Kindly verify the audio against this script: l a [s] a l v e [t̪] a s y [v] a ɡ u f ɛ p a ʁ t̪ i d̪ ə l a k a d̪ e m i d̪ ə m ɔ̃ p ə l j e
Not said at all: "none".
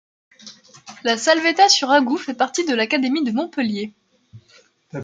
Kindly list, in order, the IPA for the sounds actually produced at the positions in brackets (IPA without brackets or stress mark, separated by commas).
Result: s, t̪, ʁ